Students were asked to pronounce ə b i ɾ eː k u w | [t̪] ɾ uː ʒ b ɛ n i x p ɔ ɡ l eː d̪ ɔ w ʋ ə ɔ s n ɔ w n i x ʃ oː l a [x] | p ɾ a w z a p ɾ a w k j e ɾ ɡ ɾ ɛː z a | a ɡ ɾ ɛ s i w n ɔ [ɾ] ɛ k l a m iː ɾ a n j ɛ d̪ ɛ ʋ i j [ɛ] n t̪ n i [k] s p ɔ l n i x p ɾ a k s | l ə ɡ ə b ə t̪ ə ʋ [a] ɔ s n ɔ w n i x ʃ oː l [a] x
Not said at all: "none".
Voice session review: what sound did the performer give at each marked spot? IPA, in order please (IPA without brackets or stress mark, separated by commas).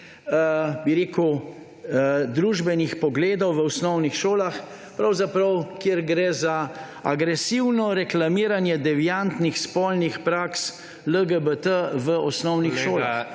d̪, x, ɾ, a, x, ə, a